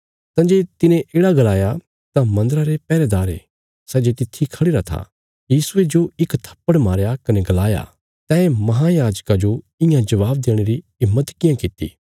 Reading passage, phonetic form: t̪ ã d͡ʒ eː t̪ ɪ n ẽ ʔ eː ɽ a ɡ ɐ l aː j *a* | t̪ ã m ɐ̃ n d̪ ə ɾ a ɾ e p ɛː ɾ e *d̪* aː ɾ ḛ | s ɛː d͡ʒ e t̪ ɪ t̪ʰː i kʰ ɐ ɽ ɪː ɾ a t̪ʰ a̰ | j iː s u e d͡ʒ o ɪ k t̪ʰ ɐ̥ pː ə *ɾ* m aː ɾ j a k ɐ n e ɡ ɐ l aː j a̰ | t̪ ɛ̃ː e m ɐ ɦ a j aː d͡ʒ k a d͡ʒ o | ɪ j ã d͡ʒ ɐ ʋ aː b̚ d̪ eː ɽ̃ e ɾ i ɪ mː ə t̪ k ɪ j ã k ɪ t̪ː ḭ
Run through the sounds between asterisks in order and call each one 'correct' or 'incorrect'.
correct, correct, incorrect

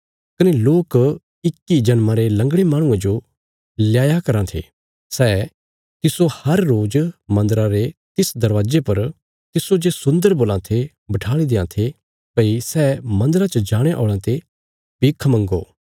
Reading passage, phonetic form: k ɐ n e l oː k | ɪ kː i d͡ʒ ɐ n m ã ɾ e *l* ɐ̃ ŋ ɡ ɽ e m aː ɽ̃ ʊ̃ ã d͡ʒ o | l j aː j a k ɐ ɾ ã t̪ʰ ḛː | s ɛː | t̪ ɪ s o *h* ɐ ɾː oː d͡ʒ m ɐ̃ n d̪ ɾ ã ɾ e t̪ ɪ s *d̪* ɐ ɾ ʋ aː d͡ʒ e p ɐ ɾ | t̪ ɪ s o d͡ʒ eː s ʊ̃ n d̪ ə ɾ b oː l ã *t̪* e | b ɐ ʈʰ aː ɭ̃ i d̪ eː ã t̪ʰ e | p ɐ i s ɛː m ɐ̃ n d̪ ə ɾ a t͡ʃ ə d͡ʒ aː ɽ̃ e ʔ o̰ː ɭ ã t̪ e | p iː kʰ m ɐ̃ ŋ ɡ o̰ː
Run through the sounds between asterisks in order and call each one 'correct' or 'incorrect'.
correct, correct, correct, incorrect

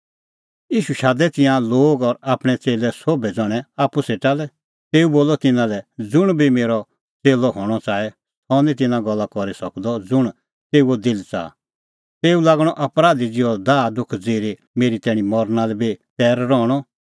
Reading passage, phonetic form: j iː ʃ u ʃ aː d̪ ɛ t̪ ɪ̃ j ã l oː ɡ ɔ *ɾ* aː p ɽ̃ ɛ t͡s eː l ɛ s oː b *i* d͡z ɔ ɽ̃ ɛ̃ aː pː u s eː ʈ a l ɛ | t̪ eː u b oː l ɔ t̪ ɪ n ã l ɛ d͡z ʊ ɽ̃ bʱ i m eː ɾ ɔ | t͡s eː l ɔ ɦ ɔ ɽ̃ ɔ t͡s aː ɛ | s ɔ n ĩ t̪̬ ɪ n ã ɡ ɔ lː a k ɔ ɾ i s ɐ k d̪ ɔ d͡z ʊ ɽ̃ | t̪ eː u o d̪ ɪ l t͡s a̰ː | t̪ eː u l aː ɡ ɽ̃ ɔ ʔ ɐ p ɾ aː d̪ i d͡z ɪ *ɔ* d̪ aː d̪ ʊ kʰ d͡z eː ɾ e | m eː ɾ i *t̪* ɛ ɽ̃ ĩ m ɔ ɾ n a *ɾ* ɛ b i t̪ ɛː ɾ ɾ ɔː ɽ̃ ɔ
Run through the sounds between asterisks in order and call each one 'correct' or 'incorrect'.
correct, incorrect, correct, correct, incorrect

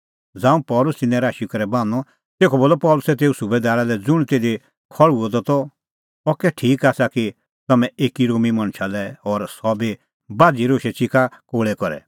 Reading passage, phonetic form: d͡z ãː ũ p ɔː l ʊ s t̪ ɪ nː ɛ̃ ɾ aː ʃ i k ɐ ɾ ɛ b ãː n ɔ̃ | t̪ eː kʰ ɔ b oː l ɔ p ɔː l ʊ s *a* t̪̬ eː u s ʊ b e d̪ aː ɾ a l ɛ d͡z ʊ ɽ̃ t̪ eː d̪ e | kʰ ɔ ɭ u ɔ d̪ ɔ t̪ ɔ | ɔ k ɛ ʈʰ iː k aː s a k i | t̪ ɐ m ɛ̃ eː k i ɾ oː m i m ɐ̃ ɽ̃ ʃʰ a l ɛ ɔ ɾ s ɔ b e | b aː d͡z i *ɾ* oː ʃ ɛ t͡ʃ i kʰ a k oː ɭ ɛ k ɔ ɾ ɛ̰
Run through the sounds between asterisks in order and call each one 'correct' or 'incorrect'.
incorrect, correct

